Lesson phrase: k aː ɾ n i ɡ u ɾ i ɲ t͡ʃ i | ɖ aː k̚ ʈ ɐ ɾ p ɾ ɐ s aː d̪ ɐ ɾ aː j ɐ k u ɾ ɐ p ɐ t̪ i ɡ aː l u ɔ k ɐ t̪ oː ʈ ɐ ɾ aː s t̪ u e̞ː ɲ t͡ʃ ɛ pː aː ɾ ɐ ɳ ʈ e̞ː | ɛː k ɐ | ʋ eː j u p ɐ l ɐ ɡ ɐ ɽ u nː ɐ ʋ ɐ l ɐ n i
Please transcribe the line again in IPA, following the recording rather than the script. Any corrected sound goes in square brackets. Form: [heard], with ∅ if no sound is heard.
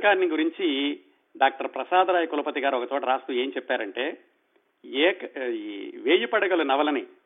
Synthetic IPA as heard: k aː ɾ n i ɡ u ɾ i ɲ t͡ʃ i | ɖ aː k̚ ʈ ɐ ɾ p ɾ ɐ s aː d̪ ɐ ɾ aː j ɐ k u [l] ɐ p ɐ t̪ i ɡ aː [ɾ] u ɔ k ɐ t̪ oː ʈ ɐ ɾ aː s t̪ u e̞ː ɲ t͡ʃ ɛ pː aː ɾ ɐ ɳ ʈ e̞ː | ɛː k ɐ | ʋ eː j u p ɐ [ɽ] ɐ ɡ ɐ [l] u [n] ɐ ʋ ɐ l ɐ n i